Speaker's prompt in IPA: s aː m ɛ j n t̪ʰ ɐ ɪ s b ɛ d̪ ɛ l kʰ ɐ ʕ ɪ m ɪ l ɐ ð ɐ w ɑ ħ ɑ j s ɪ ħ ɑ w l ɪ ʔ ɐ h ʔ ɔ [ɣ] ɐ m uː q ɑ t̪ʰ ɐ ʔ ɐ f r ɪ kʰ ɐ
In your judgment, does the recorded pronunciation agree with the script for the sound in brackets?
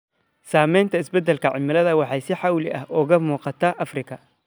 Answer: yes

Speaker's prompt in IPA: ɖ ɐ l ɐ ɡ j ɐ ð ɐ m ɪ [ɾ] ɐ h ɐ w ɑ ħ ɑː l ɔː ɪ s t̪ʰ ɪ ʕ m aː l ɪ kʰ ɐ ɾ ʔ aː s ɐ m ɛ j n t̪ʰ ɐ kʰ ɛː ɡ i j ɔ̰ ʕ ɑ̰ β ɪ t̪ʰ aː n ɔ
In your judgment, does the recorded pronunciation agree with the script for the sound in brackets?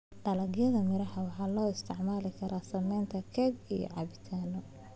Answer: yes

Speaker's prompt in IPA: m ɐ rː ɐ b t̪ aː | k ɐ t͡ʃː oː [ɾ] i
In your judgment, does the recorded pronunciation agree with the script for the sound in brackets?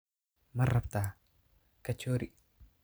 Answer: yes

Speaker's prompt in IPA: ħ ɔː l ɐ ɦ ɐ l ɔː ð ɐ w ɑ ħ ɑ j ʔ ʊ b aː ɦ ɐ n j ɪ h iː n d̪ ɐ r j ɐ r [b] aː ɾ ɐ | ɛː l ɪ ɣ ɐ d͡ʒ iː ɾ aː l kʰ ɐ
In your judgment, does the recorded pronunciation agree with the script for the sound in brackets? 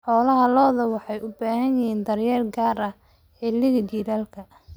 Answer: no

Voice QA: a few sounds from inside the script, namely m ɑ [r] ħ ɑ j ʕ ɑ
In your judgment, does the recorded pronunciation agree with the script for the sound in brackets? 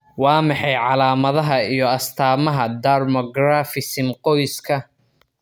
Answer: no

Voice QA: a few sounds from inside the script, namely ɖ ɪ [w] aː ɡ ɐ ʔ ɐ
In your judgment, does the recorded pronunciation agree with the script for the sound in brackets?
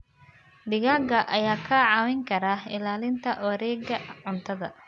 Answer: no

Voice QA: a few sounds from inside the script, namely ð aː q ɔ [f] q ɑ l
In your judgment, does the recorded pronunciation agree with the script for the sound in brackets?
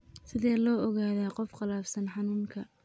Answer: yes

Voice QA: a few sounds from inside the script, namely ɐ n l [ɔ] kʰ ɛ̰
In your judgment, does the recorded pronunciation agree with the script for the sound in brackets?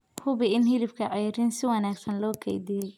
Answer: no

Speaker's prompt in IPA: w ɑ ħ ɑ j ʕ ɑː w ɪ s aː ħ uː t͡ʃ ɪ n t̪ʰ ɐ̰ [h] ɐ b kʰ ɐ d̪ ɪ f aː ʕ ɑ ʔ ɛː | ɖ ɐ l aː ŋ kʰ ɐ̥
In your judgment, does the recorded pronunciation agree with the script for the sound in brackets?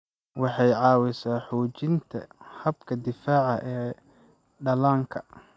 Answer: yes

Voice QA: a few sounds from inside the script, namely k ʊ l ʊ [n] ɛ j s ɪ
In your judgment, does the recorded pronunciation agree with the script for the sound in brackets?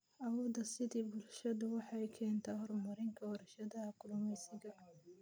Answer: no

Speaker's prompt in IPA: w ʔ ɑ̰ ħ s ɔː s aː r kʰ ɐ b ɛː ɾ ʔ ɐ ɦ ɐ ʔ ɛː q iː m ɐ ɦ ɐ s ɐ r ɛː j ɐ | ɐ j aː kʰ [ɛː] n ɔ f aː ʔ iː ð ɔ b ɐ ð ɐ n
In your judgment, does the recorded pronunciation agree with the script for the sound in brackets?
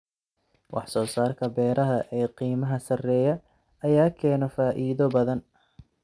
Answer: yes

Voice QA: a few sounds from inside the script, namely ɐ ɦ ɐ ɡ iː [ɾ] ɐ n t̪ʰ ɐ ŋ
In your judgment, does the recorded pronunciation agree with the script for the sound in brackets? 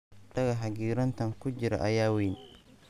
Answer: yes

